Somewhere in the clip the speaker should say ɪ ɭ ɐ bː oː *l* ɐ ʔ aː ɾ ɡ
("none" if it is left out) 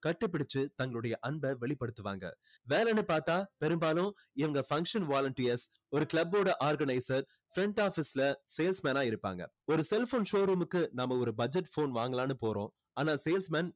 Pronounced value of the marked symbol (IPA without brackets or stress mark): ɽ